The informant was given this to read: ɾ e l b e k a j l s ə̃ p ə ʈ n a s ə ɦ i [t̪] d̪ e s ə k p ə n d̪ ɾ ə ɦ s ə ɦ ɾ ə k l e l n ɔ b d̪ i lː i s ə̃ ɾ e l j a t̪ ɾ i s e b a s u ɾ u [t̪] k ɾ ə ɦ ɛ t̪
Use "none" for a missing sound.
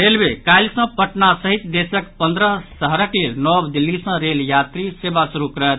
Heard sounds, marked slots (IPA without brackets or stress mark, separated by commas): t̪, none